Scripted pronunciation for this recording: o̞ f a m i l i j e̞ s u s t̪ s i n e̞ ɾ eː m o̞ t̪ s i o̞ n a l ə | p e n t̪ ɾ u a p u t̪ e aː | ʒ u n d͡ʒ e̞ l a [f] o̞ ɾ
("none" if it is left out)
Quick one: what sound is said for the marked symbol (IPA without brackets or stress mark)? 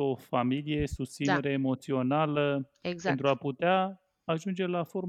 f